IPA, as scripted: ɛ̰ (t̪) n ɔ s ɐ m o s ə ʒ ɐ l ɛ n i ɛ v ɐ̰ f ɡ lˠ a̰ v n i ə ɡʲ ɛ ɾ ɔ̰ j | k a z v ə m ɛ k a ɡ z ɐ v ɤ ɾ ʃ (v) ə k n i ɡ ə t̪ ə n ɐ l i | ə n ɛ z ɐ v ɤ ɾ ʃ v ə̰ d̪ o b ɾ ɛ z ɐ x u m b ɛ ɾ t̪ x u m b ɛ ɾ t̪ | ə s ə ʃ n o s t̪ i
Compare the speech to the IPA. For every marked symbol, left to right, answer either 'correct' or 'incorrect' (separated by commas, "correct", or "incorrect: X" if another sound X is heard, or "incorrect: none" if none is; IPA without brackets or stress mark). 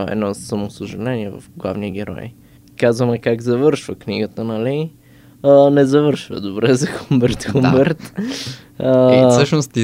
incorrect: d̪, correct